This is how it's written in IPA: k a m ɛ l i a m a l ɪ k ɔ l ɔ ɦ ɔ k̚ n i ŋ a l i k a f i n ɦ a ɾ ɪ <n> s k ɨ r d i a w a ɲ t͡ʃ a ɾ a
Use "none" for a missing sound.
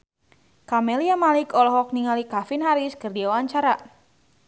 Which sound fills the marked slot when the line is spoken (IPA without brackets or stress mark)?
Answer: none